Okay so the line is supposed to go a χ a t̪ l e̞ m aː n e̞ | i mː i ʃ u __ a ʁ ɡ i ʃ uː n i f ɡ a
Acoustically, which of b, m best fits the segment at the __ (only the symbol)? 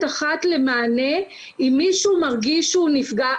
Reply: m